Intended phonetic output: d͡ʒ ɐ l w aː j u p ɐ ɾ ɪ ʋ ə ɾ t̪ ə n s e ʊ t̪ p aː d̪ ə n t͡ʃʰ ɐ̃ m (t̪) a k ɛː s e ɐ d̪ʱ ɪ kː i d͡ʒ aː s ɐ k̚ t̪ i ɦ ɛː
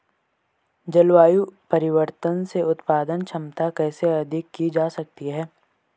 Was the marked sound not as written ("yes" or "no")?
no